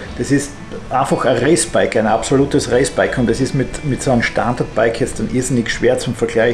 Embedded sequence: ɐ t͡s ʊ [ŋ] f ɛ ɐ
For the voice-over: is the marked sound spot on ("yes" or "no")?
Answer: no